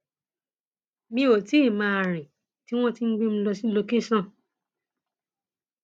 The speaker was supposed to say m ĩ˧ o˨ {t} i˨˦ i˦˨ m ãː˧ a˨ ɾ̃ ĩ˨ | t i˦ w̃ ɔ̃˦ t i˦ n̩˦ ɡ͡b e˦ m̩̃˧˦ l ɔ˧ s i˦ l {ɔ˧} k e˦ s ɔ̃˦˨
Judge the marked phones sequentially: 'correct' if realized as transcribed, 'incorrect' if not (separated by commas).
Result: correct, incorrect